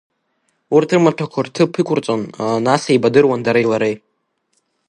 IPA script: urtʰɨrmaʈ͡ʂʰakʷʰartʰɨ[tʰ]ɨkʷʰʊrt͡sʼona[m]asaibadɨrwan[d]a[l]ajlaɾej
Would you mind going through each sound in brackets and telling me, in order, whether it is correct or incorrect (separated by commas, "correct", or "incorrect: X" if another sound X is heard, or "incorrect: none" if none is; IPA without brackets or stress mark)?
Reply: incorrect: pʰ, incorrect: n, correct, incorrect: ɾ